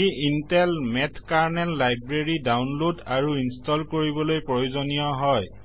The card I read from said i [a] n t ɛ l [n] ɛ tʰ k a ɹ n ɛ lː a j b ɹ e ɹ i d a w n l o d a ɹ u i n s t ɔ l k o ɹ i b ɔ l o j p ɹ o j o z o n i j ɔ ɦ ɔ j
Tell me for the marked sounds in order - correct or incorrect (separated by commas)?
incorrect, incorrect